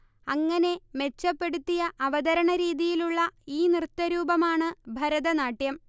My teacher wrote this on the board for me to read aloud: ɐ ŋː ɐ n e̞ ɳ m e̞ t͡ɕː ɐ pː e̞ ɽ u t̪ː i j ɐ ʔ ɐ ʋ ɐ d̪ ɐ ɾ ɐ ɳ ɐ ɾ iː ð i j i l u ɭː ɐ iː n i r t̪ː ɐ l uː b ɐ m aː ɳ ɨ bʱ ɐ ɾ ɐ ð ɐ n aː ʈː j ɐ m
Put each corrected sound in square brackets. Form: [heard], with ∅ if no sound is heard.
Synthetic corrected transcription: ɐ ŋː ɐ n e̞ [∅] m e̞ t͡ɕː ɐ pː e̞ ɽ u t̪ː i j ɐ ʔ ɐ ʋ ɐ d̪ ɐ ɾ ɐ ɳ ɐ ɾ iː ð i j i l u ɭː ɐ iː n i r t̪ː ɐ [ɾ] uː b ɐ m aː ɳ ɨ bʱ ɐ ɾ ɐ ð ɐ n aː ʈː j ɐ m